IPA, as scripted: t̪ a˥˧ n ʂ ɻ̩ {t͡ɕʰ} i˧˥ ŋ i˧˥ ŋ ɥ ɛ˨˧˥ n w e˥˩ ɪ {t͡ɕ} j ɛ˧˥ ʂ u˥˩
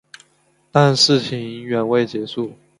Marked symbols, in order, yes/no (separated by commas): yes, yes